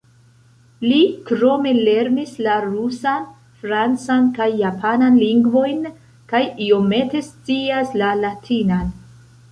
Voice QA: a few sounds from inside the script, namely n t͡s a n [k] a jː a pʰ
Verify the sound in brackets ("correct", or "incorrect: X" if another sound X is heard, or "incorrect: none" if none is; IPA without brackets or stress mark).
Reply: correct